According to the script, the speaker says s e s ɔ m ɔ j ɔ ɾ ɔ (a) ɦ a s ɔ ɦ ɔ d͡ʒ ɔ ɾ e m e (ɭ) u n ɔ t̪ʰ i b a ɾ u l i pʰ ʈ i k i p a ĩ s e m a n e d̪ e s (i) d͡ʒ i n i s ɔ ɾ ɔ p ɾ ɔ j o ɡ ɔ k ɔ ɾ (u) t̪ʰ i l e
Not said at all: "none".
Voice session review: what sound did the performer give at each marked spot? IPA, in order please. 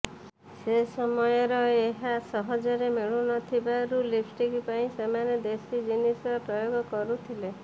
e, ɭ, i, u

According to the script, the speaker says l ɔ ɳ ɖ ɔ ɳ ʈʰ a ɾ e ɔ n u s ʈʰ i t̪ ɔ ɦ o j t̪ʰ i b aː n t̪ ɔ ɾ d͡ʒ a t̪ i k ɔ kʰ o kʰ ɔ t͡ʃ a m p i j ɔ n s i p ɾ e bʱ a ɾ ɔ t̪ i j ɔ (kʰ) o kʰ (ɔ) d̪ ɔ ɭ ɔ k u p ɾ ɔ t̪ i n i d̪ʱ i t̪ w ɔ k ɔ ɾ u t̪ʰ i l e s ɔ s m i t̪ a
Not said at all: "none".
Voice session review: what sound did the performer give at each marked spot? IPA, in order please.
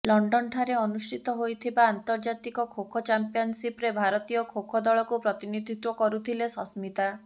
kʰ, ɔ

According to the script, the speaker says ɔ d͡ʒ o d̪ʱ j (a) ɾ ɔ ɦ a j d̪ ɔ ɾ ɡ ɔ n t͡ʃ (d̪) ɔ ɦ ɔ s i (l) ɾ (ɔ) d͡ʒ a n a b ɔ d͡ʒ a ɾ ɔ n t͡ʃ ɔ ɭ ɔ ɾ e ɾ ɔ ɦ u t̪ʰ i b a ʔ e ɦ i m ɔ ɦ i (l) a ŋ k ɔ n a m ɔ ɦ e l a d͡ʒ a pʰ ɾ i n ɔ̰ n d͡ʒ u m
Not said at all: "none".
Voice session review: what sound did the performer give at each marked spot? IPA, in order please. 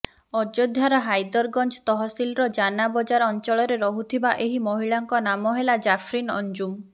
a, t̪, l, ɔ, ɭ

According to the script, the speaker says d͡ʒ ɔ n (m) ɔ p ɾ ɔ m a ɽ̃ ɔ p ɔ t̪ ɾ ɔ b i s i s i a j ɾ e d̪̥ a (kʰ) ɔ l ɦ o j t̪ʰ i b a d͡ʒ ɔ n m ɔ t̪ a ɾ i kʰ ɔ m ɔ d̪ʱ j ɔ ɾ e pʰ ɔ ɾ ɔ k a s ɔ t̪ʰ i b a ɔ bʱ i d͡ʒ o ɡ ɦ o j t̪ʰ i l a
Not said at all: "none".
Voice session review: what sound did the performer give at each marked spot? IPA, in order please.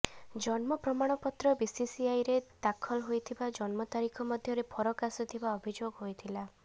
m, kʰ

